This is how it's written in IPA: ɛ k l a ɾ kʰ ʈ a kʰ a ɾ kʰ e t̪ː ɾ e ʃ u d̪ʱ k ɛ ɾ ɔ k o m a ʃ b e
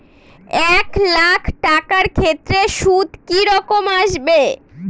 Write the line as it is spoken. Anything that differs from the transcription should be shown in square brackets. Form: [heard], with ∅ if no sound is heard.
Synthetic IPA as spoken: ɛ k l a [∅] kʰ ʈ a [k] a ɾ kʰ e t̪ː ɾ e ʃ u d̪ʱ k [i] ɾ ɔ k o m a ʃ b e

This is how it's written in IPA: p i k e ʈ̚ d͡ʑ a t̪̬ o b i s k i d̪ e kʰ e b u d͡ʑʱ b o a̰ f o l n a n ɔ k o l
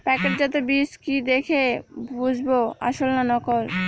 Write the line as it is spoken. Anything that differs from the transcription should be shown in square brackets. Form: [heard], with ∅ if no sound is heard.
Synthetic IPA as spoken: p [ɛ] k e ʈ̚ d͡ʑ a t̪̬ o b i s k i d̪ e kʰ e b u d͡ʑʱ b o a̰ [ʃ] o l n a n ɔ k o l

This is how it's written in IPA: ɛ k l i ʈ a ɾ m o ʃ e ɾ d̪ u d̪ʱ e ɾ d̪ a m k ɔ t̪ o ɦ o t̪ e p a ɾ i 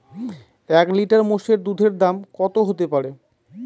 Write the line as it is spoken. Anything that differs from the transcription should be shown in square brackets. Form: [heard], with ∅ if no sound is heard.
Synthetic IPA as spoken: ɛ k l i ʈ a ɾ m o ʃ e ɾ d̪ u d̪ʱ e ɾ d̪ a m k ɔ t̪ o ɦ o t̪ e p a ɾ [e]

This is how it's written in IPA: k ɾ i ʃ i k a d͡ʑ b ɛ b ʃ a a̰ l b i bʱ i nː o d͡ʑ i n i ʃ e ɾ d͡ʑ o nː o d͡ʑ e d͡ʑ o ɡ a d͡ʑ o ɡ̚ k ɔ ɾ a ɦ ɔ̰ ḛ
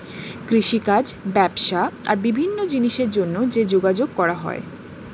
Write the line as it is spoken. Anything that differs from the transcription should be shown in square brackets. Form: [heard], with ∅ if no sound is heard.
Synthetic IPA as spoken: k ɾ i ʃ i k a d͡ʑ b ɛ b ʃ a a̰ [ɾ] b i bʱ i nː o d͡ʑ i n i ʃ e ɾ d͡ʑ o nː o d͡ʑ e d͡ʑ o ɡ a d͡ʑ o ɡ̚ k ɔ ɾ a ɦ ɔ̰ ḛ

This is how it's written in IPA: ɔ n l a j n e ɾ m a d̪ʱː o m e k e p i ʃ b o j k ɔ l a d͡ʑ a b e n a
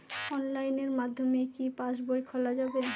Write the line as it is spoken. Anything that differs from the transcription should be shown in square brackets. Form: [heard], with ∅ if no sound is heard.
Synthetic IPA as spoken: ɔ n l a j n e ɾ m a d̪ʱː o m e k [i] p [a] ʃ b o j [kʰ] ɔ l a d͡ʑ a b e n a

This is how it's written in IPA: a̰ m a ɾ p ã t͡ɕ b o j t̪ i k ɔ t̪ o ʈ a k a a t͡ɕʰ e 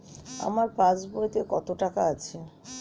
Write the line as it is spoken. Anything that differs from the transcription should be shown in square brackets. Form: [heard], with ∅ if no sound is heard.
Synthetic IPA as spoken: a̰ m a ɾ p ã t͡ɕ b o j t̪ [e] k ɔ t̪ o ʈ a k a a t͡ɕʰ e

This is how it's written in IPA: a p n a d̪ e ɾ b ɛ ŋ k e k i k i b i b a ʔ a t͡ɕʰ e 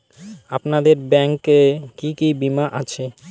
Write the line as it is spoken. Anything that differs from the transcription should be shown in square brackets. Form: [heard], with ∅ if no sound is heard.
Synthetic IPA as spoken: a p n a d̪ e ɾ b ɛ ŋ k e k i k i b i [m] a ʔ a t͡ɕʰ e

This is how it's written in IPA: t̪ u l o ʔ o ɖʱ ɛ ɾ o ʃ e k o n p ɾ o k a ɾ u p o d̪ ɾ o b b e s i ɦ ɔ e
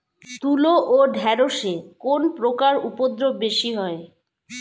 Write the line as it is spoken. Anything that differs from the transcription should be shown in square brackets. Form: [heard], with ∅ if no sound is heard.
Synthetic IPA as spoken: t̪ u l o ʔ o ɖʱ ɛ ɾ o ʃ e k o n p ɾ o k a ɾ u p o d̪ ɾ o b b e [ʃ] i ɦ ɔ e

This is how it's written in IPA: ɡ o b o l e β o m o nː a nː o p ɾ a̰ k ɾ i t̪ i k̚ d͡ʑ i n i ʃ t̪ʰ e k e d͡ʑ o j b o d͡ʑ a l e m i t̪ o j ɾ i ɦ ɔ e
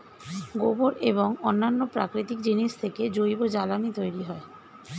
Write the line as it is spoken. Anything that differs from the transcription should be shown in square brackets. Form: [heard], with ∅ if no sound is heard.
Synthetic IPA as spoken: ɡ o b o [ɾ] e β o [ŋ] o nː a nː o p ɾ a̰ k ɾ i t̪ i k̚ d͡ʑ i n i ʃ t̪ʰ e k e d͡ʑ o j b o d͡ʑ a l [a] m i t̪ o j ɾ i ɦ ɔ e

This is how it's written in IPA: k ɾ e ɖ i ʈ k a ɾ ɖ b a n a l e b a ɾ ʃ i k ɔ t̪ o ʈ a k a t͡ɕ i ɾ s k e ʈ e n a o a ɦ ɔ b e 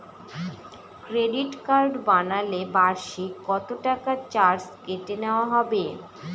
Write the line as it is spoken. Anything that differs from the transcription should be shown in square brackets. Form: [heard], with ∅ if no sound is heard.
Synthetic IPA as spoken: k ɾ e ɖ i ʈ k a ɾ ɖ b a n a l e b a ɾ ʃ i k ɔ t̪ o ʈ a k a t͡ɕ [a] ɾ s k e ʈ e n [e] o a ɦ ɔ b e

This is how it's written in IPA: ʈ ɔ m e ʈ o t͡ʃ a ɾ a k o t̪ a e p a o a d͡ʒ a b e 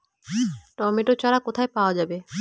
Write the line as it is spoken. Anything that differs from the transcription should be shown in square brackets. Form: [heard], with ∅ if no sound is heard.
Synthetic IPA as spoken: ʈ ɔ m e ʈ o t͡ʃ a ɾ a k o [t̪ʰ] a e p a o a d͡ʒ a b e

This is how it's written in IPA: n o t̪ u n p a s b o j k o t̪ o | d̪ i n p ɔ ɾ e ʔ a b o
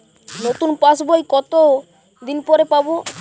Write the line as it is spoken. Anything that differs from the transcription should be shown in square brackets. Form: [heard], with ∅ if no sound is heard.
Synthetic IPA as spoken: n o t̪ u n p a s b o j k [ɔ] t̪ o | d̪ i n p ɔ ɾ e [p] a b o

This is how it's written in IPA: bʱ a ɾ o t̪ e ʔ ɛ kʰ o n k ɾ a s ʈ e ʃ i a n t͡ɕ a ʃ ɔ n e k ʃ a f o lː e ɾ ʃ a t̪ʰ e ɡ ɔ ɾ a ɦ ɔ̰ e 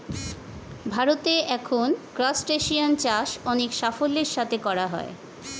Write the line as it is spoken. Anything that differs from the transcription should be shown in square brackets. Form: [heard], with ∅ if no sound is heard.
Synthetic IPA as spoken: bʱ a ɾ o t̪ e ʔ ɛ kʰ o n k ɾ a s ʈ e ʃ i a n t͡ɕ a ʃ ɔ n e k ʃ a f o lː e ɾ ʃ a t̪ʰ e [k] ɔ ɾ a ɦ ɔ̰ e

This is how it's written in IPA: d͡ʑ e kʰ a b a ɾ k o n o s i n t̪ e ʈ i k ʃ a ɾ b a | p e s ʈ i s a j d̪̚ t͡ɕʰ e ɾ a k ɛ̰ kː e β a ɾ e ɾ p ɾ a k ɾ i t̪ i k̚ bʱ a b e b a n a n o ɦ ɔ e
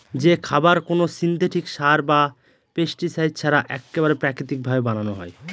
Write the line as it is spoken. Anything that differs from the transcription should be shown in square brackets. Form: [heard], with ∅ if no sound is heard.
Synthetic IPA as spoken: d͡ʑ e kʰ a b a ɾ k o n o s i n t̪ e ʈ i k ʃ a ɾ b a | p e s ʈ i s a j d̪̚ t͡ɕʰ [a] ɾ a [ʔ] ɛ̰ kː e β a ɾ e [∅] p ɾ a k ɾ i t̪ i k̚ bʱ a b e b a n a n o ɦ ɔ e

